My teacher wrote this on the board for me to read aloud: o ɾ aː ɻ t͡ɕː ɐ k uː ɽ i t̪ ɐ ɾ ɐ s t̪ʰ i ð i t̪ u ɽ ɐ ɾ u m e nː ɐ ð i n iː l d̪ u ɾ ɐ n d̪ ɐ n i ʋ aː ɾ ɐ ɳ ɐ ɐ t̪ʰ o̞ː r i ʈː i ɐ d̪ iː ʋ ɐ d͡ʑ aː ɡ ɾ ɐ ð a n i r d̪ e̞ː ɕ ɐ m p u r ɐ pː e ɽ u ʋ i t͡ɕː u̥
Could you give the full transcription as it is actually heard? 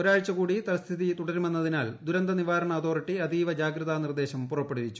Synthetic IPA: o ɾ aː ɻ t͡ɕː ɐ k uː ɽ i t̪ ɐ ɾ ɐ s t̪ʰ i ð i t̪ u ɽ ɐ ɾ u m e nː ɐ ð i n aː l d̪ u ɾ ɐ n d̪ ɐ n i ʋ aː ɾ ɐ ɳ ɐ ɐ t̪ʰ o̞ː r i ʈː i ɐ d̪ iː ʋ ɐ d͡ʑ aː ɡ ɾ ɐ ð a n i r d̪ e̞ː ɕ ɐ m p u r ɐ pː e ɽ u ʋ i t͡ɕː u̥